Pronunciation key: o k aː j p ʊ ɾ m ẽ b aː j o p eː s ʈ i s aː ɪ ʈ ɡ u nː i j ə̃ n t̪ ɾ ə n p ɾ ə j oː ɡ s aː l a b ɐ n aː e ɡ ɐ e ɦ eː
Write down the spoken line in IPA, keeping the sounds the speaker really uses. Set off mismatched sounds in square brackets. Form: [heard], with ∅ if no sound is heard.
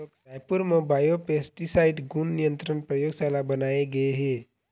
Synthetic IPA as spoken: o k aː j p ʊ ɾ m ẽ b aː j o p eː s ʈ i s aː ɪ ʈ ɡ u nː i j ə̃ n t̪ ɾ ə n p ɾ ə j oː ɡ s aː l a b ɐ n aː e ɡ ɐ e ɦ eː